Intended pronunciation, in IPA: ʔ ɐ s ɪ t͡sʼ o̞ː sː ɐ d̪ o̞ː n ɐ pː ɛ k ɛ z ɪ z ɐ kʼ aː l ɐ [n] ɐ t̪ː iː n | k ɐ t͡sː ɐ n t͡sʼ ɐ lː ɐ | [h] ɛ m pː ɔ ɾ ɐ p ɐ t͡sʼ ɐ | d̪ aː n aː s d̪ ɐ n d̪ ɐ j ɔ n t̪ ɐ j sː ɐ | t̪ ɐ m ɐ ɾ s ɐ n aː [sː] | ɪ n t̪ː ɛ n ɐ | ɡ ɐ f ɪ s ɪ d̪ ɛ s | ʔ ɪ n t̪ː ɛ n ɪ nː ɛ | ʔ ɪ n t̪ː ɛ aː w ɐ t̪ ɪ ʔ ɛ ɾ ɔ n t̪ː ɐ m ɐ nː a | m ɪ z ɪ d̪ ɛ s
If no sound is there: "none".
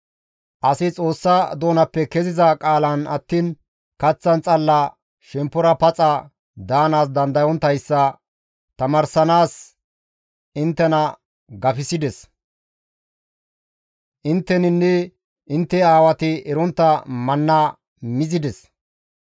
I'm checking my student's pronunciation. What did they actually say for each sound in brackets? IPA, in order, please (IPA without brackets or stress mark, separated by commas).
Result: n, ʃ, s